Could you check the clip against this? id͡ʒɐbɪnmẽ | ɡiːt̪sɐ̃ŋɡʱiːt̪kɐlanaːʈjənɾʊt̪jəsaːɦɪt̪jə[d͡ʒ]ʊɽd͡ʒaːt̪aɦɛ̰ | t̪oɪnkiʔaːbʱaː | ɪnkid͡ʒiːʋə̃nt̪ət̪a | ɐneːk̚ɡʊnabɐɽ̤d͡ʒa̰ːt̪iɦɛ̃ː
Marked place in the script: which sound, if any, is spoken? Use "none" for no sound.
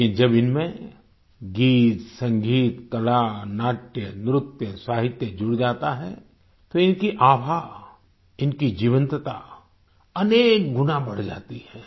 d͡ʒ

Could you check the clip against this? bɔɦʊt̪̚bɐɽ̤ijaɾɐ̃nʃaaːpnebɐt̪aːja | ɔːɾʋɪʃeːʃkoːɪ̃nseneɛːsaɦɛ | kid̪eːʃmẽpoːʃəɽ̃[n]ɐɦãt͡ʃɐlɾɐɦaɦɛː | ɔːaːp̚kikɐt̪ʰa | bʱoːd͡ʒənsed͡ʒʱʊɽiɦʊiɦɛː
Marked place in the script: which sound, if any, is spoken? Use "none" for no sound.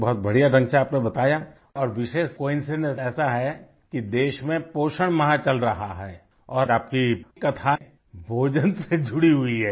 m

